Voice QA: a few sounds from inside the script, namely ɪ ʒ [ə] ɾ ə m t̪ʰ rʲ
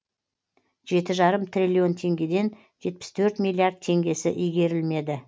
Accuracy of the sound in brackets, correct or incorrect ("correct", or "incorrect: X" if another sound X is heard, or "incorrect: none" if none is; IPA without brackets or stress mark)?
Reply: incorrect: ɑ